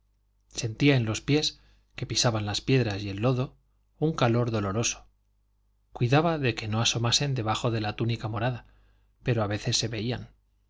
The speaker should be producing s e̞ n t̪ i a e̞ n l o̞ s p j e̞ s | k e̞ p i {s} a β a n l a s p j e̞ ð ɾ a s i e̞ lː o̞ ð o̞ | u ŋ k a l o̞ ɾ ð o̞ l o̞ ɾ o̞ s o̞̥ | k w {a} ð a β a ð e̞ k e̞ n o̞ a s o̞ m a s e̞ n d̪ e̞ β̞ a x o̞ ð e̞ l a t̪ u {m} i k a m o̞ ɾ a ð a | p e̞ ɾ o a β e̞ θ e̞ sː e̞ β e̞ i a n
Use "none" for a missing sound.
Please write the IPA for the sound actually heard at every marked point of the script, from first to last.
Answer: s, i, n

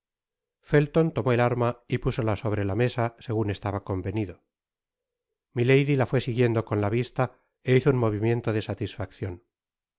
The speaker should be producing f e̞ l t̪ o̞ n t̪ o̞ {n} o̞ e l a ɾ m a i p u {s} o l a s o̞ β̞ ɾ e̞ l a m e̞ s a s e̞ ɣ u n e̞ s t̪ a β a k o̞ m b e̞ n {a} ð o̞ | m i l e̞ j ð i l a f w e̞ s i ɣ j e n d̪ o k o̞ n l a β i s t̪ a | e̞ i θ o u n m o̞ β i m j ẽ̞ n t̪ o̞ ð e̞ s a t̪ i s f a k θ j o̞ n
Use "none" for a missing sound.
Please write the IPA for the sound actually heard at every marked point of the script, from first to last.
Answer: m, s, i

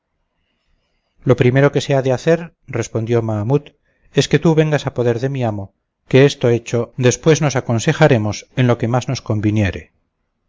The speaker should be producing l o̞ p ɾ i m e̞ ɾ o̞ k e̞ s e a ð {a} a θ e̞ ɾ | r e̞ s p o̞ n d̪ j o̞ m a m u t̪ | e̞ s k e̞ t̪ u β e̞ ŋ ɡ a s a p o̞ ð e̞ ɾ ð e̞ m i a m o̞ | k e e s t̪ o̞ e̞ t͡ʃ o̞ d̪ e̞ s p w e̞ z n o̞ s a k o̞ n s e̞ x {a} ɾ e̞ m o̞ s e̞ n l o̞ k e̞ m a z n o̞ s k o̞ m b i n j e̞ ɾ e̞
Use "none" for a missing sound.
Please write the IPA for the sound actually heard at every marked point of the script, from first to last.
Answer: e, a

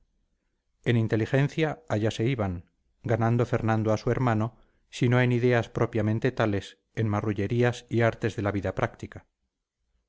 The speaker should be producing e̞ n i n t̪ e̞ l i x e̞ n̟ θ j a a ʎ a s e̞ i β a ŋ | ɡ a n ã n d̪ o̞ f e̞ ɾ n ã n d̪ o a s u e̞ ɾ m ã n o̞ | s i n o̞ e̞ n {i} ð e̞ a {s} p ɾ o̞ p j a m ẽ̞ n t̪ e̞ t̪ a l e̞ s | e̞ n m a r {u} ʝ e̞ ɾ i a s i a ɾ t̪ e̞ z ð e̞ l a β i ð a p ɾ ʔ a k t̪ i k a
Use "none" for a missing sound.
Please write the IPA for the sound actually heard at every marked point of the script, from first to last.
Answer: i, s, u

